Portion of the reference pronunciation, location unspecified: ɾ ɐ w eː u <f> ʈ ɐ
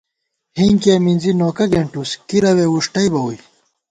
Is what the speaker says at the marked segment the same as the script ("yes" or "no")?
no